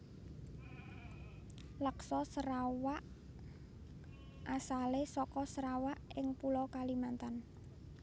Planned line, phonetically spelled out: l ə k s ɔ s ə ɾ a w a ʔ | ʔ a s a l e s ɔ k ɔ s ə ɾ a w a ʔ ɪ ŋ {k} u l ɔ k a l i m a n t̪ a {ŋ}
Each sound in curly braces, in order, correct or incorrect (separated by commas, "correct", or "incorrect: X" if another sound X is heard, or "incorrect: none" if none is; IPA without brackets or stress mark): incorrect: p, incorrect: n